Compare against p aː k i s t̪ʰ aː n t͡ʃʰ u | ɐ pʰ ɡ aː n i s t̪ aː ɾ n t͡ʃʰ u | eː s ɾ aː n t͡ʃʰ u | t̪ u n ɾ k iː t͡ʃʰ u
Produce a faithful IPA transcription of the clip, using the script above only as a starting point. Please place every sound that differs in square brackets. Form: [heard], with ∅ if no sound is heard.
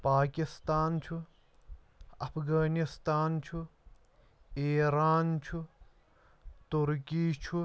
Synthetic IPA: p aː k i s [t̪] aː n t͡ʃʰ u | ɐ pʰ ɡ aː n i s t̪ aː [∅] n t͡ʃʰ u | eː [∅] ɾ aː n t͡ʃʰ u | t̪ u [∅] ɾ k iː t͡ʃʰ u